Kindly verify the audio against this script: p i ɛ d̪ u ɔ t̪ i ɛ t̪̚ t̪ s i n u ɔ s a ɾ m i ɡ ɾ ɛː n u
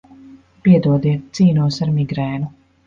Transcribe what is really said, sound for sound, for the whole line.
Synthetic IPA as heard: p i ɛ d̪ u ɔ d̪ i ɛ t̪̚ t̪ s iː n u ɔ s a ɾ m i ɡ ɾ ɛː n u